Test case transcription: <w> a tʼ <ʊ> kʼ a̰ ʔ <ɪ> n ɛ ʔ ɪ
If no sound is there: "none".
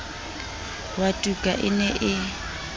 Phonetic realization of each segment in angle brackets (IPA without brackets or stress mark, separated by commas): w, u, ɪ